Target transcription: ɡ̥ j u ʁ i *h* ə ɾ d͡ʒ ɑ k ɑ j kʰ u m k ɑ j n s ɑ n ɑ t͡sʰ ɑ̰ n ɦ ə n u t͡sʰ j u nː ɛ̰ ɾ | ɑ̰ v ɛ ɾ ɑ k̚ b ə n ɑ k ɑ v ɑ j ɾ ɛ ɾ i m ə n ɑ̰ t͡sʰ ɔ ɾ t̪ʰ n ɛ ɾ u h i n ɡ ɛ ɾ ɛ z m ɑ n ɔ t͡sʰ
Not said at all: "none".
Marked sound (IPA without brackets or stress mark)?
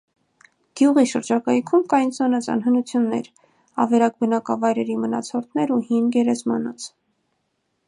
ʃ